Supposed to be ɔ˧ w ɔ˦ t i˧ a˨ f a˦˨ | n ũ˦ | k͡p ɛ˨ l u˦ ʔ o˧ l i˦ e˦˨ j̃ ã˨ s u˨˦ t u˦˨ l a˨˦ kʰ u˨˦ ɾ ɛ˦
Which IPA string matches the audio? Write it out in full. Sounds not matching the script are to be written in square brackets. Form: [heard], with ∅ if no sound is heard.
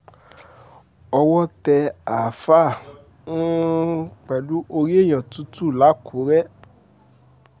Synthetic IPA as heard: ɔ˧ w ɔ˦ t [ɛ˧] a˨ f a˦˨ | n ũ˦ | k͡p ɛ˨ l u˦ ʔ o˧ [ɾ] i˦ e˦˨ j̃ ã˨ [t] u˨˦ t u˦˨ l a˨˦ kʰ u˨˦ ɾ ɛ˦